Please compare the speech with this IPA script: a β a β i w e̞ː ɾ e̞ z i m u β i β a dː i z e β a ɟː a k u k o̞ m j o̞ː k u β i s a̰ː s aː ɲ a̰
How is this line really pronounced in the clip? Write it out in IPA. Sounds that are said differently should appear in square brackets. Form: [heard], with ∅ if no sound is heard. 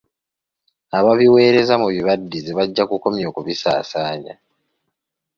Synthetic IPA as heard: a β a β i w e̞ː ɾ e̞ z [a] m u β i β a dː i z e β a ɟː a k u k o̞ m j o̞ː k u β i s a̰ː s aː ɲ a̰